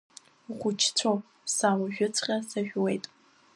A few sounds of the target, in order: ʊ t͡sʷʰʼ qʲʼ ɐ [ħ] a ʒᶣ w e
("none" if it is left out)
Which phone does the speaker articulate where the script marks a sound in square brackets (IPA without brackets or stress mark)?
s